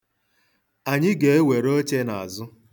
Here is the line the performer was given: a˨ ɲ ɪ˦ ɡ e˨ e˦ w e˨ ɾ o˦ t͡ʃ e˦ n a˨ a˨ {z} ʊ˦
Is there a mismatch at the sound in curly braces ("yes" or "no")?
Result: no